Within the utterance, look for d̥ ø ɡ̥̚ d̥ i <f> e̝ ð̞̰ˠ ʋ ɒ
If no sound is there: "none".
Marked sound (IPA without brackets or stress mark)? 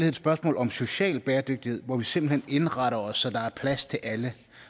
h